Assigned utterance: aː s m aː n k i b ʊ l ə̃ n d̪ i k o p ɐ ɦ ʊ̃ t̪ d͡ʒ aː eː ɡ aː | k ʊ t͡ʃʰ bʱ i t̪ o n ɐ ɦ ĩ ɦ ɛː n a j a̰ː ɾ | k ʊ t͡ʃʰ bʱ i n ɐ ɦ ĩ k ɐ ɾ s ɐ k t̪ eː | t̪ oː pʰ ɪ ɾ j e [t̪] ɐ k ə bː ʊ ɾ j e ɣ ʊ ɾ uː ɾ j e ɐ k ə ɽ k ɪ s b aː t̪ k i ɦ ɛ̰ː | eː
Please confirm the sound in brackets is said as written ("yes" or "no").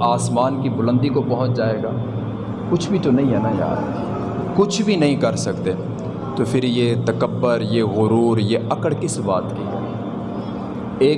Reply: yes